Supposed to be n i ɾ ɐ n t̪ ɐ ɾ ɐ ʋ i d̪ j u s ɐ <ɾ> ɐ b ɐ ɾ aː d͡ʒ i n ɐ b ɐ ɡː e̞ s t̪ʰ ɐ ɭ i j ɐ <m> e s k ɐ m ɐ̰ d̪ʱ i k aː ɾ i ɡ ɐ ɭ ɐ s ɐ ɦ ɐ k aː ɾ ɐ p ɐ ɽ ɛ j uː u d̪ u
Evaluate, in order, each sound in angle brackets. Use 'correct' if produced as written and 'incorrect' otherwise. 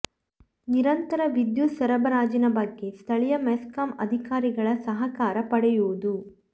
correct, correct

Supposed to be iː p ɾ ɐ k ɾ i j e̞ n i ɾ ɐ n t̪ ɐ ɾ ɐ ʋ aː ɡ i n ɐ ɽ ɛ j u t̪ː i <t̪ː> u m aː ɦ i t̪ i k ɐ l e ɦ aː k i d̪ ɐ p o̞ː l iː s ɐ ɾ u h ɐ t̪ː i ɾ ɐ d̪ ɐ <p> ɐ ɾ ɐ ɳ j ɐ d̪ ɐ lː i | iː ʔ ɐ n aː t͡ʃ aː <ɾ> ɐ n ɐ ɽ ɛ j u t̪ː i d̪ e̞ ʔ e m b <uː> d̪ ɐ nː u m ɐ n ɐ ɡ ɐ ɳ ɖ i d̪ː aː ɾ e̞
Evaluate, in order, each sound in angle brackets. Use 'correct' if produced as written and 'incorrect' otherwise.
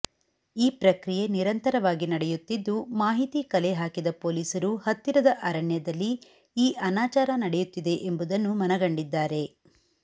incorrect: d̪ː, incorrect: ʔ, correct, incorrect: u

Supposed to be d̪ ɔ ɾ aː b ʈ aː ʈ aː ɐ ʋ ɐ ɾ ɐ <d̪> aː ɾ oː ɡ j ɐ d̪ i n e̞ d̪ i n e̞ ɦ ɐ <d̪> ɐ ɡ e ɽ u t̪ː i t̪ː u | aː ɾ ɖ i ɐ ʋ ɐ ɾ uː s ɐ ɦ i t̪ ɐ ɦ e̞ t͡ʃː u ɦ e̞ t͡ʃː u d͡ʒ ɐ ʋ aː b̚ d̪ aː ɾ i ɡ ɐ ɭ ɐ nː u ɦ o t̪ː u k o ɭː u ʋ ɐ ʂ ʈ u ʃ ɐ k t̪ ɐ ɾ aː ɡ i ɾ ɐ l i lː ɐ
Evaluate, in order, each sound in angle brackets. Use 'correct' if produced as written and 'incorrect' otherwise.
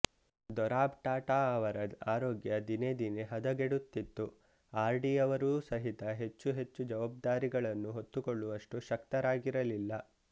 correct, correct

